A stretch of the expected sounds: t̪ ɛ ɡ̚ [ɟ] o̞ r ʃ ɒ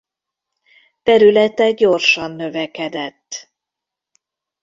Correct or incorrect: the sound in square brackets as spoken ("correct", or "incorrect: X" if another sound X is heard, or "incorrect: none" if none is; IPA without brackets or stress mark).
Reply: correct